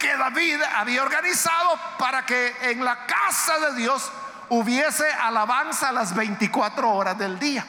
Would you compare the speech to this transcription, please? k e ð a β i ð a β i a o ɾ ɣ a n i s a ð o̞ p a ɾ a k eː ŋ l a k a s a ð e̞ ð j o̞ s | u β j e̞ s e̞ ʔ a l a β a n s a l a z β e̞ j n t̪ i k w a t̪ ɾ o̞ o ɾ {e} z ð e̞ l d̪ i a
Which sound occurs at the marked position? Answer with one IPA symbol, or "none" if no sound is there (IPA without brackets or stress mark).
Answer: a